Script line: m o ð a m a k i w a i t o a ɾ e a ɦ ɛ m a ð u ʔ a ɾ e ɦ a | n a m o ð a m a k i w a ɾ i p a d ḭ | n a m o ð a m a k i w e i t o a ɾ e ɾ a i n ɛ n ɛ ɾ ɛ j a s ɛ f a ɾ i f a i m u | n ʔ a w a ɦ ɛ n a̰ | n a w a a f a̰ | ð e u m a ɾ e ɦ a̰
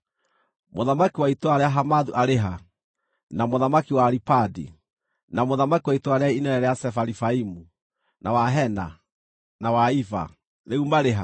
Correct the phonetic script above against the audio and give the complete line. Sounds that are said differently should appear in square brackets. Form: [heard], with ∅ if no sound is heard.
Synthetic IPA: m o ð a m a k i w a i t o a ɾ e a ɦ [a] m a ð u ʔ a ɾ e ɦ a | n a m o ð a m a k i w a ɾ i p a d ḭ | n a m o ð a m a k i w [a] i t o a ɾ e [∅] a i n ɛ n ɛ ɾ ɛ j a s ɛ f a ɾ i f a i m u | n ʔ a w a ɦ ɛ n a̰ | n a w a [i] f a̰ | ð e u m a ɾ e ɦ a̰